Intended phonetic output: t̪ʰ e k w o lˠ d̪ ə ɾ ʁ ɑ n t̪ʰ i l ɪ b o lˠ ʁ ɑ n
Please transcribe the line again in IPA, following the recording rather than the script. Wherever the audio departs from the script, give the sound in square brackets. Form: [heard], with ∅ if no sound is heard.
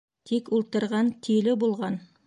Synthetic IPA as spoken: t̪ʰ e k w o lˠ [t̪] ə ɾ ʁ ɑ n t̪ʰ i l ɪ b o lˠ ʁ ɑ n